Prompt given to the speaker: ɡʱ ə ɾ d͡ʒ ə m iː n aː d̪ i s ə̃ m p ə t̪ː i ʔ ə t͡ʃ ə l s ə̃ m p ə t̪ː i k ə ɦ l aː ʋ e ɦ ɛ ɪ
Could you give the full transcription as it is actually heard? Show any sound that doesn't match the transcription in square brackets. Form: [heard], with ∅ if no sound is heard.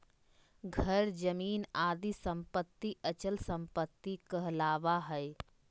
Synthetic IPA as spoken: ɡʱ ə ɾ d͡ʒ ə m iː n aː d̪ i s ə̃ m p ə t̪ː i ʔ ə t͡ʃ ə l s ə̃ m p ə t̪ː i k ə ɦ l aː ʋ [a] ɦ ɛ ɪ

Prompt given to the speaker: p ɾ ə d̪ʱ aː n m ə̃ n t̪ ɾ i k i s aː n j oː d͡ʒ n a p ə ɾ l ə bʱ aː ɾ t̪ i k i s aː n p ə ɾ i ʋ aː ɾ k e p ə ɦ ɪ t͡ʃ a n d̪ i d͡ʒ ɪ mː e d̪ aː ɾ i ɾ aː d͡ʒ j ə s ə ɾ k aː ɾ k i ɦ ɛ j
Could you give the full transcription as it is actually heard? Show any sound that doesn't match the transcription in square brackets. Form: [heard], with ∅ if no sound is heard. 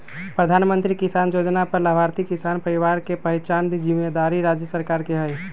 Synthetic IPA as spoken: p ɾ ə d̪ʱ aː n m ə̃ n t̪ ɾ i k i s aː n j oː d͡ʒ n a p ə ɾ l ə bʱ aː ɾ t̪ i k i s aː n p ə ɾ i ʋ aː ɾ k e p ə ɦ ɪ t͡ʃ a n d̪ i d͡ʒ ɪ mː e d̪ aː ɾ i ɾ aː d͡ʒ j ə s ə ɾ k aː ɾ k [e] ɦ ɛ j

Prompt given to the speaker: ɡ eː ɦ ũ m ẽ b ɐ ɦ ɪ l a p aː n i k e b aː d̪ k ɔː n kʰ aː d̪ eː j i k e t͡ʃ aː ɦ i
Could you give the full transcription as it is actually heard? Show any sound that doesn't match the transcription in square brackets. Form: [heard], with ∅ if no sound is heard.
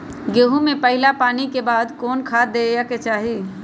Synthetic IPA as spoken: ɡ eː ɦ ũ m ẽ [p] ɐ ɦ ɪ l a p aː n i k e b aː d̪ k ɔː n kʰ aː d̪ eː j [a] k e t͡ʃ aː ɦ i

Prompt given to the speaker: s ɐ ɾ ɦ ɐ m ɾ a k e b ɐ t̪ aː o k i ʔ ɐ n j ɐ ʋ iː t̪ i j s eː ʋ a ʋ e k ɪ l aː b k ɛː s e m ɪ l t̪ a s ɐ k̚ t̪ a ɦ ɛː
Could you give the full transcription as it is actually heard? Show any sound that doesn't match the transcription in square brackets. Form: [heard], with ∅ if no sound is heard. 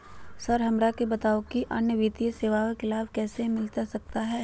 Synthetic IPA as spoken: s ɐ ɾ ɦ ɐ m ɾ a k e b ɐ t̪ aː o k i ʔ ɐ n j [ə] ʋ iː t̪ i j s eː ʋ a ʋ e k ɪ l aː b k ɛː s e m ɪ l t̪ a s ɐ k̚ t̪ a ɦ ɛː

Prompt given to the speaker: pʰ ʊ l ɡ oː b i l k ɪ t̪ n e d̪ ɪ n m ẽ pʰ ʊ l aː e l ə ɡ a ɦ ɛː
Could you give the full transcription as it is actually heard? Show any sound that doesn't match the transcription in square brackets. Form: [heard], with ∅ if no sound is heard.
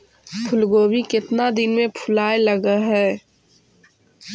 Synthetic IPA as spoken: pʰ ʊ l ɡ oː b i [∅] k ɪ t̪ n [a] d̪ ɪ n m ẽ pʰ ʊ l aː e l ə ɡ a ɦ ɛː

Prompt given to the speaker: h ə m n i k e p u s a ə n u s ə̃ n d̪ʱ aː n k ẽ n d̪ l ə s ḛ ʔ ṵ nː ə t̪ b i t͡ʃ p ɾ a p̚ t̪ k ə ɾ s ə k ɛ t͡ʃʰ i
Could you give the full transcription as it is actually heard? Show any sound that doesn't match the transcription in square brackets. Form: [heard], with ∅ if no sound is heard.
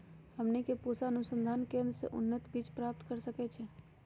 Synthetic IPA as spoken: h ə m n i k e p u s a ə n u s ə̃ n d̪ʱ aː n k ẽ n d̪ [ɾ] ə s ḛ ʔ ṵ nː ə t̪ b i t͡ʃ p ɾ a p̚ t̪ k ə ɾ s ə k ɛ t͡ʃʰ [ɛ]

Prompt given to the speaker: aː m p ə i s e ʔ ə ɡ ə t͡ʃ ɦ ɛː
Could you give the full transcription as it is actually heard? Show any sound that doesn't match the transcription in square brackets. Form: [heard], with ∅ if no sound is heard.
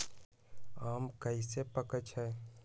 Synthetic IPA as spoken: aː m [k] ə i s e [p] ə [k] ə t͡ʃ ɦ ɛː

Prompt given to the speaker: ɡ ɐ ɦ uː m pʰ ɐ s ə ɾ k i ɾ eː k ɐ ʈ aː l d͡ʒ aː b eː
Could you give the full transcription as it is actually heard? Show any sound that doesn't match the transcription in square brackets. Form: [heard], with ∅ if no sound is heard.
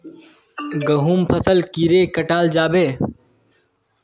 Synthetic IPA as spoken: ɡ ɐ ɦ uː m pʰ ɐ s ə [l] k i ɾ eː k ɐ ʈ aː l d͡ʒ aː b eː

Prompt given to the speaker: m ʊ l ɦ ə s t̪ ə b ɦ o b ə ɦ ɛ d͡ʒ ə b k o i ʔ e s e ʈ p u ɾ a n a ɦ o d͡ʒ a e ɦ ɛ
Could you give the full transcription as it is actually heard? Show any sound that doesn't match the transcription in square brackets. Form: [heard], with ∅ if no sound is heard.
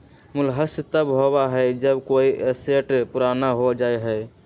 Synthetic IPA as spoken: m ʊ l ɦ ə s t̪ ə b ɦ o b [a] ɦ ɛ d͡ʒ ə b k o i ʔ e s e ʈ p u ɾ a n a ɦ o d͡ʒ a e ɦ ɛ

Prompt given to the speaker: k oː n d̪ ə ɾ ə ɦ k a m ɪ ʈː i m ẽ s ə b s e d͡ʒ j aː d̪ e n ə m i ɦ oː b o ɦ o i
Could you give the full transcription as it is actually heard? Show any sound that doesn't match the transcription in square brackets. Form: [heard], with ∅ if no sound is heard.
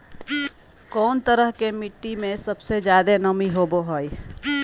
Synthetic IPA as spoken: k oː n [t̪] ə ɾ ə ɦ k [e] m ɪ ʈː i m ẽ s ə b s e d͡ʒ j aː d̪ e n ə m i ɦ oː b o ɦ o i

